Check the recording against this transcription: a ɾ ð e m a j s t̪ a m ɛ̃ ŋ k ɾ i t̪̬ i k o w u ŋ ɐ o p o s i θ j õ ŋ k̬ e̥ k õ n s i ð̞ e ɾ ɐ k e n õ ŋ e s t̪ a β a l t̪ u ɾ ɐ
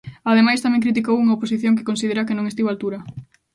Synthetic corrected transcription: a ð e m a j s t̪ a m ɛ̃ ŋ k ɾ i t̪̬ i k o w u ŋ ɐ o p o s i θ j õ ŋ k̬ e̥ k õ n s i ð̞ e ɾ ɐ k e n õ ŋ e s t̪ i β a l t̪ u ɾ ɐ